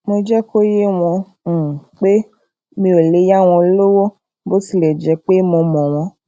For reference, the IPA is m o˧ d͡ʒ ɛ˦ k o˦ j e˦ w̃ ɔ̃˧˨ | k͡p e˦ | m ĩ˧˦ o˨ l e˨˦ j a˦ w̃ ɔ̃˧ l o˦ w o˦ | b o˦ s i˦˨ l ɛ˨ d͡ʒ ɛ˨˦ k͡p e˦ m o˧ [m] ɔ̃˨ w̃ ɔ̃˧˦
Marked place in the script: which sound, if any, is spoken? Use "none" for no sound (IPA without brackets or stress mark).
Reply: m